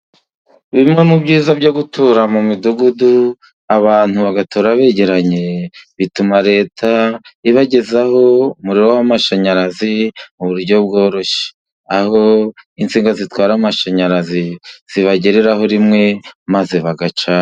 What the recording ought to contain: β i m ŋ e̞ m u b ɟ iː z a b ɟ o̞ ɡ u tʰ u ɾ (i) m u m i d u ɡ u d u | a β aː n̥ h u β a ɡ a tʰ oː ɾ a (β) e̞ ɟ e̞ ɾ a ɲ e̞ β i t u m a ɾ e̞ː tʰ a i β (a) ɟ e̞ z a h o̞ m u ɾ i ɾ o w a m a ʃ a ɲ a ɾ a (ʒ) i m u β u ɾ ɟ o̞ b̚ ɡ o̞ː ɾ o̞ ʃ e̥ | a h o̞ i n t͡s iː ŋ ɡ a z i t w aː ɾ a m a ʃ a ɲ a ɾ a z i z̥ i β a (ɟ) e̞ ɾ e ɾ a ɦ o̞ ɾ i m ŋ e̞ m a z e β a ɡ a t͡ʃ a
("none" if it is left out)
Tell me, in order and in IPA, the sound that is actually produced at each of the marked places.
a, β, a, z, ɟ

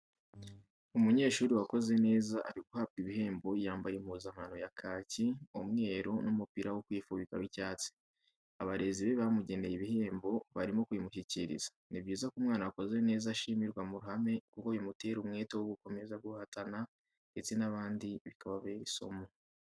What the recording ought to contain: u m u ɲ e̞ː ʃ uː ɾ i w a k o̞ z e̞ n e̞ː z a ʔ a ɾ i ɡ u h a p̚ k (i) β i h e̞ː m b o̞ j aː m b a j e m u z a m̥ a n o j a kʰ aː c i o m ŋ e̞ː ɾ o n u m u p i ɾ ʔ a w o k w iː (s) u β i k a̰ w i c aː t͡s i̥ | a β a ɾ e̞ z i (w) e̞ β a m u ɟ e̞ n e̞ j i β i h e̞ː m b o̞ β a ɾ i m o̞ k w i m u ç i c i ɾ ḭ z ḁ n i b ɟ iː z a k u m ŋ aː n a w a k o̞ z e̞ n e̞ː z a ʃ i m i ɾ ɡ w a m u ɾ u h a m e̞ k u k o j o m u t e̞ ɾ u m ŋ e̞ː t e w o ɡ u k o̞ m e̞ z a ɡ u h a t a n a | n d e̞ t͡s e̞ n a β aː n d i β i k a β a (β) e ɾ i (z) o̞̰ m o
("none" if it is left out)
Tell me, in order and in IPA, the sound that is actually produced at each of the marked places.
i, f, β, β, s

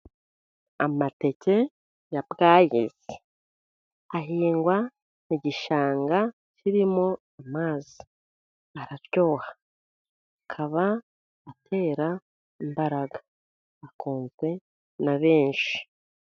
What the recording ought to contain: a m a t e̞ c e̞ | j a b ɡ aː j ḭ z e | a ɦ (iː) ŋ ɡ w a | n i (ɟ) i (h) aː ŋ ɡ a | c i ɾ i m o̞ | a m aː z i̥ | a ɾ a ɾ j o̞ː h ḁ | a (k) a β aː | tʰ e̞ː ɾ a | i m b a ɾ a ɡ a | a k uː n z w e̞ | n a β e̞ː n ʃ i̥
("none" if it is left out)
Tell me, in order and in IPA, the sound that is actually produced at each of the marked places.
iː, ɟ, ʃ, kʰ

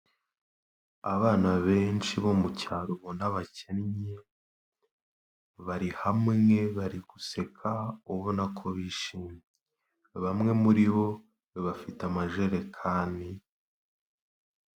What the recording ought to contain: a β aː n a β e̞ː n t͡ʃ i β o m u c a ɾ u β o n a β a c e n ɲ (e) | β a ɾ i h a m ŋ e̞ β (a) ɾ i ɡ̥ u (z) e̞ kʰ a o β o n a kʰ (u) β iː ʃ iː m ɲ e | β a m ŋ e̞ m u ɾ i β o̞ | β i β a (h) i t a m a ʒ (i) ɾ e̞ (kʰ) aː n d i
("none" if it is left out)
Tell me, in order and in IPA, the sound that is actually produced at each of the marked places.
e, a, s, o, f, e, kʰ

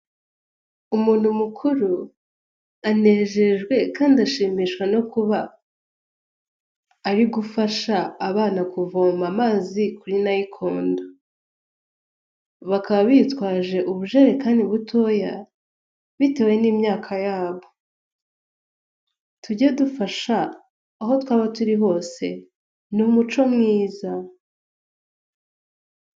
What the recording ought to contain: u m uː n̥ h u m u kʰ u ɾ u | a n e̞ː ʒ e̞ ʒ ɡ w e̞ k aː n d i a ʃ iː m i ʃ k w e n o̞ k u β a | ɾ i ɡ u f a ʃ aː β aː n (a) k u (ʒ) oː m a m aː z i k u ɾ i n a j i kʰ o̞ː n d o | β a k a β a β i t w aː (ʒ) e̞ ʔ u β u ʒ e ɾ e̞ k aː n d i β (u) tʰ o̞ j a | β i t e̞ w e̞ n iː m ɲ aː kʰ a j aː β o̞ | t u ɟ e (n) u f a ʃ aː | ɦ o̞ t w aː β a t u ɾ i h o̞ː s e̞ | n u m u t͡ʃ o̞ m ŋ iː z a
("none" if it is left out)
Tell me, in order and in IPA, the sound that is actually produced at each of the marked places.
a, v, ʒ, u, d

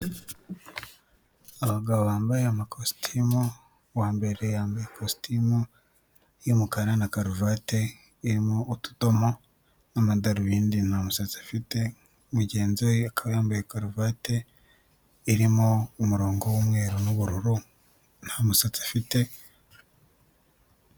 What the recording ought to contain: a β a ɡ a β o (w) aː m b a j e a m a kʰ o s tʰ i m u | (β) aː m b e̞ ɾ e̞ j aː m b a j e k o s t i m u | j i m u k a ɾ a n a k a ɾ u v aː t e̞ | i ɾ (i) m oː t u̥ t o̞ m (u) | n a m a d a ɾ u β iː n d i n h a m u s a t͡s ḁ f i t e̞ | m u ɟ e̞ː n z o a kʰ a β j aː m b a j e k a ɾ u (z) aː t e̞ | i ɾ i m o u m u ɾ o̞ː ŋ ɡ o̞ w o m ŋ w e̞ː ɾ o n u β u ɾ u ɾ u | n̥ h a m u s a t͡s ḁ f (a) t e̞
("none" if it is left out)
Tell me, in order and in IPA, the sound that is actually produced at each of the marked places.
β, w, i, o, v, i

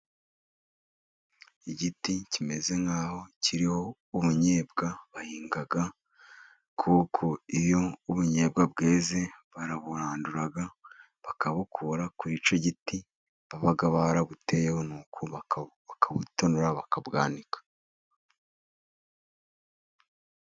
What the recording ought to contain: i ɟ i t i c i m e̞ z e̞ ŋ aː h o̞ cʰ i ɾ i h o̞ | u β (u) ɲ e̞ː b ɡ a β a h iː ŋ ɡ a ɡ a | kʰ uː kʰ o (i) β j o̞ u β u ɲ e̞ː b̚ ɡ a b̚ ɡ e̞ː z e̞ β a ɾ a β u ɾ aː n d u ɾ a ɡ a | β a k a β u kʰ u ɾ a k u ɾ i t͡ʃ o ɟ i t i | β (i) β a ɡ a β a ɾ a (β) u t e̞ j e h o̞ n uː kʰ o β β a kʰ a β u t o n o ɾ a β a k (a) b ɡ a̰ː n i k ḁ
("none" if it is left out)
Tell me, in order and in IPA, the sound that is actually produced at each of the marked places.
u, i, a, β, a

